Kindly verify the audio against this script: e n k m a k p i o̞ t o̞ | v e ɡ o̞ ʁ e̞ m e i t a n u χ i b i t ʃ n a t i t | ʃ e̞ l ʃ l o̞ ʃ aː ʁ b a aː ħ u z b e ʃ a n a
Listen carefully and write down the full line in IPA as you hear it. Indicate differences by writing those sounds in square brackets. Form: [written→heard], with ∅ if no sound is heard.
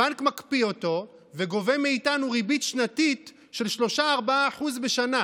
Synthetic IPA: [e→a] n k m a k p i o̞ t o̞ | v e ɡ o̞ [ʁ→v] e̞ m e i t a n u [χ→ʁ] i b i t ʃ n a t i t | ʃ e̞ l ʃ l o̞ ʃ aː ʁ b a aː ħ u z b e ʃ a n a